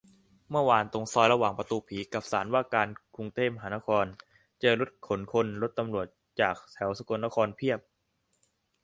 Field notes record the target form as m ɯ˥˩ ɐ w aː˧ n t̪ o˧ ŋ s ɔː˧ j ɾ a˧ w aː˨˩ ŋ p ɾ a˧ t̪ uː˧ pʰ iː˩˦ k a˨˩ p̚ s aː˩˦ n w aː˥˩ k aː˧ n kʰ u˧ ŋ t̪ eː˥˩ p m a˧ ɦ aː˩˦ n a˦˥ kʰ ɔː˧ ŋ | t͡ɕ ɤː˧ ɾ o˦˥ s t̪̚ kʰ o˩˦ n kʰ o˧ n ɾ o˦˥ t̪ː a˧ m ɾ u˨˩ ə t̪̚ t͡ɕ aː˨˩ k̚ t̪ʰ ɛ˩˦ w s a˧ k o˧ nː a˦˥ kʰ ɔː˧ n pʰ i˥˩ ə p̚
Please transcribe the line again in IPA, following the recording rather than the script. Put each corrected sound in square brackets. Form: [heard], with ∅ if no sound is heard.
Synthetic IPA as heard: m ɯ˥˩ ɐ w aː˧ n t̪ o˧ ŋ s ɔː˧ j ɾ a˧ w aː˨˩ ŋ p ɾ a˧ t̪ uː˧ pʰ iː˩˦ k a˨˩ p̚ s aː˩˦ n w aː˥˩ k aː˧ n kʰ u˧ ŋ t̪ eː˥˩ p m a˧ ɦ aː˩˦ n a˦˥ kʰ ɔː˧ [n] | t͡ɕ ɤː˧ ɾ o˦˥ [∅] t̪̚ kʰ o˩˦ n kʰ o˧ n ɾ o˦˥ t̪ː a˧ m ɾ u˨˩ ə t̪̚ t͡ɕ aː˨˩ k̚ t̪ʰ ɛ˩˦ w s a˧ k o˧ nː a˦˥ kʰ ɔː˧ n pʰ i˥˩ ə p̚